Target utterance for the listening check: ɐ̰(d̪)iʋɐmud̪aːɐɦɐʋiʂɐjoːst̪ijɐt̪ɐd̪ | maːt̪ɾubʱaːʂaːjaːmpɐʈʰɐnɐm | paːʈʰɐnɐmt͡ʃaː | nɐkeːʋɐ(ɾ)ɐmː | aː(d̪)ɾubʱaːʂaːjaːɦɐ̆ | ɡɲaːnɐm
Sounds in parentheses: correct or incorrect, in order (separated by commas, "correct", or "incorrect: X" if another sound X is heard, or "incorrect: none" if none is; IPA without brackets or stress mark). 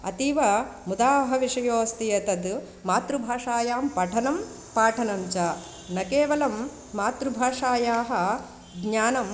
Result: incorrect: t̪, incorrect: l, incorrect: t̪